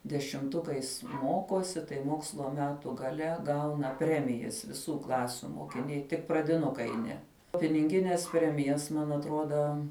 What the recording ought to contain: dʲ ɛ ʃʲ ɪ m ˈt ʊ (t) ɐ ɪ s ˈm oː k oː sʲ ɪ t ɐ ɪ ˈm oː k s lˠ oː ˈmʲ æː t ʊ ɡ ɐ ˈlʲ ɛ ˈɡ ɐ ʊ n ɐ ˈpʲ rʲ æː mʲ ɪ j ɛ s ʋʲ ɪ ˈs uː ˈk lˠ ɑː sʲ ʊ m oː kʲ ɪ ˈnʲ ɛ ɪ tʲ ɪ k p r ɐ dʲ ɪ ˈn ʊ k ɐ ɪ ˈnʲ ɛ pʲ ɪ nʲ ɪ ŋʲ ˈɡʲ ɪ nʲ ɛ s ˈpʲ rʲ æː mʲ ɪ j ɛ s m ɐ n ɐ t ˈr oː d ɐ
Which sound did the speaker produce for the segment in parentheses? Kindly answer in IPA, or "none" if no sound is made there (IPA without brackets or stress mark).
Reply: k